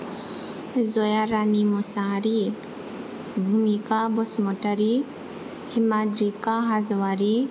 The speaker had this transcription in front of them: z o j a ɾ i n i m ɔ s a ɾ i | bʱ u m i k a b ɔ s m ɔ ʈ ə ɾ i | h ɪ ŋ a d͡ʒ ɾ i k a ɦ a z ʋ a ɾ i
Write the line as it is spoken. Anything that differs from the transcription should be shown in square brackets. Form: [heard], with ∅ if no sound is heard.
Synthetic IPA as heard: z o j a ɾ [a] n i m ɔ s a ɾ i | bʱ u m i k a b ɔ s m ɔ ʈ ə ɾ i | h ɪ [m] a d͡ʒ ɾ i k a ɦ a z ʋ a ɾ i